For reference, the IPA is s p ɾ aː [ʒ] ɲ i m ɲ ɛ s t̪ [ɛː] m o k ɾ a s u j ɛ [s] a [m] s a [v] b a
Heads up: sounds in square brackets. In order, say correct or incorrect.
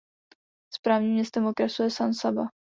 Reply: incorrect: v, incorrect: ɛ, correct, incorrect: n, incorrect: none

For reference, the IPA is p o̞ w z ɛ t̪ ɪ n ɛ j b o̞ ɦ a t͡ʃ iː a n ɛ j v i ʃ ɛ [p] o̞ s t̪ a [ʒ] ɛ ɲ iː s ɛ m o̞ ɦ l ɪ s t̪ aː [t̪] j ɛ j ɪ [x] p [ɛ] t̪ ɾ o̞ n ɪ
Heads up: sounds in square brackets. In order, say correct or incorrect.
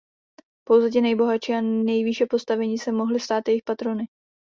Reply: correct, incorrect: v, correct, correct, incorrect: a

